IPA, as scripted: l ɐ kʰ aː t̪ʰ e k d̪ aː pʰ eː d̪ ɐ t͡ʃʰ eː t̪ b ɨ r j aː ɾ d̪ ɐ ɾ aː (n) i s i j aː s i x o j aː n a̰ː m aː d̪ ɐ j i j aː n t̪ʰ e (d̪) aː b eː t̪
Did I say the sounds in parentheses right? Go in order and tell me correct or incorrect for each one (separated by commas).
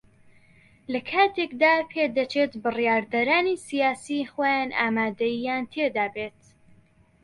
correct, correct